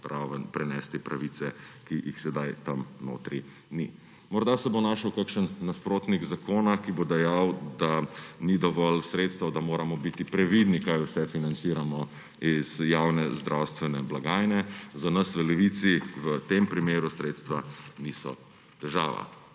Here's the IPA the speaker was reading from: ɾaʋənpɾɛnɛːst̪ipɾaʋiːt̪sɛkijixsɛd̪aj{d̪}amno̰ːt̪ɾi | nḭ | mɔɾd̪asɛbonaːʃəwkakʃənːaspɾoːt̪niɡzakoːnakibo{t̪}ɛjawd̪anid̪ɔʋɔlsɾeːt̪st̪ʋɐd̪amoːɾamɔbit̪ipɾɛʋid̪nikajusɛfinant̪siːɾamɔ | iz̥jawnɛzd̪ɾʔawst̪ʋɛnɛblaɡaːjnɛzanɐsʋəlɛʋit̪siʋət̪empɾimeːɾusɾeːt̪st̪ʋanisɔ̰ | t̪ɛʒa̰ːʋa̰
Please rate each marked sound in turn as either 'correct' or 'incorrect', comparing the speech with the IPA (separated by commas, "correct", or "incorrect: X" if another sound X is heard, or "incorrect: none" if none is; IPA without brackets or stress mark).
incorrect: t̪, incorrect: d̪